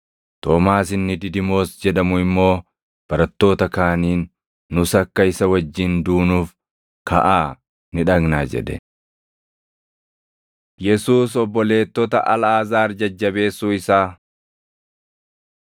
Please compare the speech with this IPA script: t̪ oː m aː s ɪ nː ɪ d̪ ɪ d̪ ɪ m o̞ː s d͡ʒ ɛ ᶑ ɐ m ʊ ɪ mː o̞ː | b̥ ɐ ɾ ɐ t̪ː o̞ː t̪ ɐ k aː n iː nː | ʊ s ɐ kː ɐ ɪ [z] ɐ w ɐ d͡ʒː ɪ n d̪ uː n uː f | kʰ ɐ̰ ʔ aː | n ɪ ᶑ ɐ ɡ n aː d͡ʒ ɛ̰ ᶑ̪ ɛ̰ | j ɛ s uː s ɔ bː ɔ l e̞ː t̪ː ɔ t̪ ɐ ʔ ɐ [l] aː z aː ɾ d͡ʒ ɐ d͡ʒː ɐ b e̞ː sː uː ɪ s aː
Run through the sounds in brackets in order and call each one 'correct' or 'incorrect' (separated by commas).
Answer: incorrect, correct